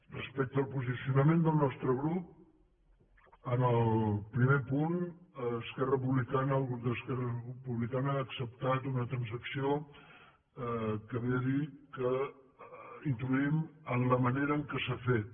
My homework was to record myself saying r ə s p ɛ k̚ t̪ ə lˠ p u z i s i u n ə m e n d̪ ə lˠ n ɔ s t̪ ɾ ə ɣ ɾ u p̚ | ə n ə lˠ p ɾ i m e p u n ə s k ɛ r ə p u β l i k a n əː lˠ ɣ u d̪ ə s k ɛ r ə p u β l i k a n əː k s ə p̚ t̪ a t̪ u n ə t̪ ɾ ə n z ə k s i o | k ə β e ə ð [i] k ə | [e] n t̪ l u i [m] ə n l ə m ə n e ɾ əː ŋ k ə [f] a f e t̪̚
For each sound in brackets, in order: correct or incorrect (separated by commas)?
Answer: correct, incorrect, correct, incorrect